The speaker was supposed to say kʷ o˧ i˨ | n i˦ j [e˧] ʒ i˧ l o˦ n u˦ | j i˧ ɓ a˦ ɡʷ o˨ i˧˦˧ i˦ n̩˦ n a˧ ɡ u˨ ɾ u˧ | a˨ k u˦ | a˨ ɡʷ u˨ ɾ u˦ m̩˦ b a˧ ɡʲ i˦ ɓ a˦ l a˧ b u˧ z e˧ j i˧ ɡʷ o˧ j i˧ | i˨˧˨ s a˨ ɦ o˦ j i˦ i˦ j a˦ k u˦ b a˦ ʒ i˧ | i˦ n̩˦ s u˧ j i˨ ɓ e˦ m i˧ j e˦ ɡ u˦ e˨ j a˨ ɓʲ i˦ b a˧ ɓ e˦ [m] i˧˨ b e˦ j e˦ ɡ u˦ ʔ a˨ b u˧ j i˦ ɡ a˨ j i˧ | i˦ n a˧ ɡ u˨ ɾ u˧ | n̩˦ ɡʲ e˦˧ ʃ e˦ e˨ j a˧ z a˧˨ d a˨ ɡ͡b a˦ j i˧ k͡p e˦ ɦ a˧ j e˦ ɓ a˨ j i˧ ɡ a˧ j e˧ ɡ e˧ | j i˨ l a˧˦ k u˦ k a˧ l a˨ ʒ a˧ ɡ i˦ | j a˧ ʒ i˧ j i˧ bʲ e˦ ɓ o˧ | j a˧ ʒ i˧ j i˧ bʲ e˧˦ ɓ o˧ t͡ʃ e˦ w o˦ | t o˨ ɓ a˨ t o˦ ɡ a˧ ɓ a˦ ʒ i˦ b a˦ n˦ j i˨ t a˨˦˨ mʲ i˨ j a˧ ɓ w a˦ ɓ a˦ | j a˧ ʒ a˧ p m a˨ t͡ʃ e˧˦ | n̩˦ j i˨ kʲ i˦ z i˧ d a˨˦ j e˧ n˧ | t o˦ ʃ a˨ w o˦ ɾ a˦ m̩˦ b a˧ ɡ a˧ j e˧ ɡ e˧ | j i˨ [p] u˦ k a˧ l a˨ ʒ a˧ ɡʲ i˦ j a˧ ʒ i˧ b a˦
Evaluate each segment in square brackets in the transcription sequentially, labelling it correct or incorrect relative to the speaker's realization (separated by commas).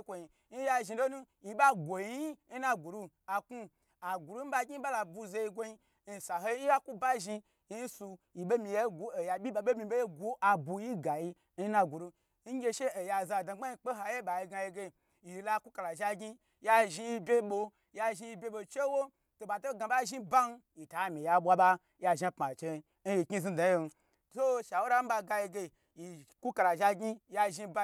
incorrect, correct, incorrect